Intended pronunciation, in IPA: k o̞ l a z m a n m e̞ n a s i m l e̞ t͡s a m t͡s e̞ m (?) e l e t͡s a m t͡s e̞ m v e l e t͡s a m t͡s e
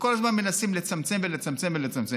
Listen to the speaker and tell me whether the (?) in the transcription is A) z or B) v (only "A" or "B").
B